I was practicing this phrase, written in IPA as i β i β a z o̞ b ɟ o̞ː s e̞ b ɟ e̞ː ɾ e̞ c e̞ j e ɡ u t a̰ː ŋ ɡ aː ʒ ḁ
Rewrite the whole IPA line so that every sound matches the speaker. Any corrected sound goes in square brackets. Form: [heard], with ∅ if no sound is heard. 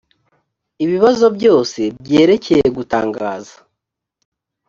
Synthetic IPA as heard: i β i β a z o̞ b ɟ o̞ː s e̞ b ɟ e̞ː ɾ e̞ c e̞ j e ɡ u t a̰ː ŋ ɡ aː [z] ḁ

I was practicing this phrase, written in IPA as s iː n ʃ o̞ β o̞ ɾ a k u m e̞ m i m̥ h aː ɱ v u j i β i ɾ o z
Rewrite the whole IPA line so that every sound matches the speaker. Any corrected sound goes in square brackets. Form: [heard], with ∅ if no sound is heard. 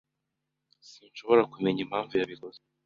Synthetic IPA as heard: s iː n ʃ o̞ β o̞ ɾ a k u m e̞ [ɲ] i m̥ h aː ɱ v u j [a] β i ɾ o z

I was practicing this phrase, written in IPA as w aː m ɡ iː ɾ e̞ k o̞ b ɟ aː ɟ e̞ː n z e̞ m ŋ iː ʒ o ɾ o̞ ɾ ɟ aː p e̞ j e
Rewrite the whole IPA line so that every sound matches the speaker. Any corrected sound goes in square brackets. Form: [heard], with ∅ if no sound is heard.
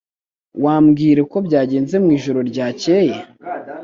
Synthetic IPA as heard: w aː m ɡ iː ɾ e̞ k o̞ b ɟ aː ɟ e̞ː n z e̞ m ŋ iː ʒ o ɾ o̞ ɾ ɟ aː [c] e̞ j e

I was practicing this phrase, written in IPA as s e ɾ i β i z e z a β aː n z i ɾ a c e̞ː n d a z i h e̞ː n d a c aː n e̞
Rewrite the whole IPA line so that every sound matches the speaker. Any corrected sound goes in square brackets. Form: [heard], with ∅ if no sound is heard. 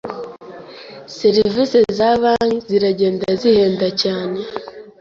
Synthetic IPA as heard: s e ɾ i [v] i [s] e z a β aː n z i ɾ a [ɟ] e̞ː n d a z i h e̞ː n d a c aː n e̞

